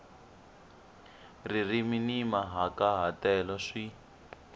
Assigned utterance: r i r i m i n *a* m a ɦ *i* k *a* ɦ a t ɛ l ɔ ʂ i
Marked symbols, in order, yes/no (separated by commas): no, no, yes